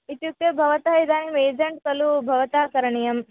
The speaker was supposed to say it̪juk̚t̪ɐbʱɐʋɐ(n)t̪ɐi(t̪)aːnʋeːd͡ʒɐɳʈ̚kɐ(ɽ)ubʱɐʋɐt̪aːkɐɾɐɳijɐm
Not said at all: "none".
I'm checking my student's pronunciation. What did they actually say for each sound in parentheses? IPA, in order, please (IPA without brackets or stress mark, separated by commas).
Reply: none, d̪, l